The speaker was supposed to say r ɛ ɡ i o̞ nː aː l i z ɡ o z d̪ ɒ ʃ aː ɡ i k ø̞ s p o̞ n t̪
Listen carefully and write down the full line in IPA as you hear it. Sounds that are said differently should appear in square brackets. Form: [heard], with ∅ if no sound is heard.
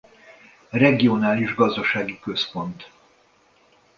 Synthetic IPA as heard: r ɛ ɡ i o̞ [n] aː l i [ʒ] ɡ [ɒ] z d̪ ɒ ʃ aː ɡ i k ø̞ s p o̞ n t̪